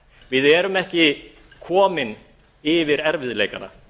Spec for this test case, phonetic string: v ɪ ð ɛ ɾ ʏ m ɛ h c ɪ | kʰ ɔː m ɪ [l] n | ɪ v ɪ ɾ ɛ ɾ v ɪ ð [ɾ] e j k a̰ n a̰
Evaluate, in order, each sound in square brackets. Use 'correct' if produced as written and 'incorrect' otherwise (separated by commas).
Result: incorrect, incorrect